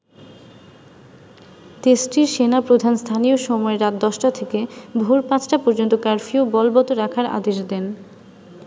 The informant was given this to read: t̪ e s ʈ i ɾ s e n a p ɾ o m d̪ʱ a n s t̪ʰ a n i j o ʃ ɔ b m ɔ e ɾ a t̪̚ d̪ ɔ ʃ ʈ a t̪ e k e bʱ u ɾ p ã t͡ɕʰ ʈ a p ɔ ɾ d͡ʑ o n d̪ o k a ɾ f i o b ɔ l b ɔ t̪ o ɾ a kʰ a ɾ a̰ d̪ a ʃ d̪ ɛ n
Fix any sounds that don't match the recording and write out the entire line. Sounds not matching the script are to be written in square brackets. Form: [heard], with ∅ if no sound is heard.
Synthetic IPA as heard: t̪ e s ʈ i ɾ [ʃ] e n a p ɾ o [∅] d̪ʱ a n s t̪ʰ a n i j o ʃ ɔ [∅] m ɔ e ɾ a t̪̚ d̪ ɔ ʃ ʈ a [t̪ʰ] e k e bʱ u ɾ p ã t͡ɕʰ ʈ a p ɔ ɾ d͡ʑ o n [t̪] o k a ɾ f i o b ɔ l b ɔ t̪ o ɾ a kʰ a ɾ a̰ d̪ [e] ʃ d̪ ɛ n